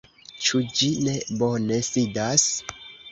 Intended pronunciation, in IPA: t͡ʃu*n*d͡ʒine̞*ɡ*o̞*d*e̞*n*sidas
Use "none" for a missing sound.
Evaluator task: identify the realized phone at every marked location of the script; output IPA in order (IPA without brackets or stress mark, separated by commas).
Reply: none, b, n, none